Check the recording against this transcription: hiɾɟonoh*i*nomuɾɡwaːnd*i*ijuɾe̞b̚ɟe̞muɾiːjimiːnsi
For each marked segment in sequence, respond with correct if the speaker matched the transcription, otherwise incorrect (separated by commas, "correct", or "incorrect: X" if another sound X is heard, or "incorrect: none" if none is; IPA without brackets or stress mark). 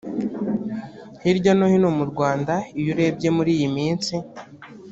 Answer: correct, incorrect: a